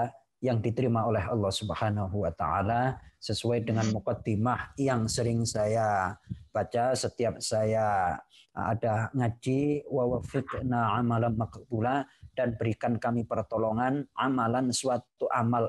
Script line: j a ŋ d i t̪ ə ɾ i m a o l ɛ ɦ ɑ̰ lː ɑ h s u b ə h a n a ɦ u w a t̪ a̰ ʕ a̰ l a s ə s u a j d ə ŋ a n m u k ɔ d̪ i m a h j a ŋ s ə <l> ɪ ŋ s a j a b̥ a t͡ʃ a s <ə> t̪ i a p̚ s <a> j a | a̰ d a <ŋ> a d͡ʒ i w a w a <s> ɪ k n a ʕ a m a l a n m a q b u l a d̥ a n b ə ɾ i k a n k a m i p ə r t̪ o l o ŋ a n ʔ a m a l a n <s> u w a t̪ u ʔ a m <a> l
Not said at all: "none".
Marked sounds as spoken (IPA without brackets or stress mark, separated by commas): ɾ, ə, a, ŋ, f, s, a